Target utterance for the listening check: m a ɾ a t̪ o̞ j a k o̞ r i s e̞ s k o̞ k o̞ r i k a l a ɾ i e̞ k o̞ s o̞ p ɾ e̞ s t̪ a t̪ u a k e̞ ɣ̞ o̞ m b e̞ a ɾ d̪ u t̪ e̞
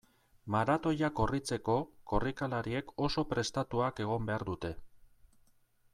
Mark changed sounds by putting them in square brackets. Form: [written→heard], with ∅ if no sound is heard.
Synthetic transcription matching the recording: m a ɾ a t̪ o̞ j a k o̞ r i [s→t͡s] e̞ [s→∅] k o̞ k o̞ r i k a l a ɾ i e̞ k o̞ s o̞ p ɾ e̞ s t̪ a t̪ u a k e̞ ɣ̞ o̞ m b e̞ a ɾ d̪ u t̪ e̞